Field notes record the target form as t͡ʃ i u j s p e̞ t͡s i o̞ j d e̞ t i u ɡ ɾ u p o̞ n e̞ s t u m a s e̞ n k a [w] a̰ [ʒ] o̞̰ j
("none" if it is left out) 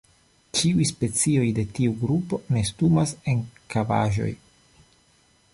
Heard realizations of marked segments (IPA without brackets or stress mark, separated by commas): v, ʒ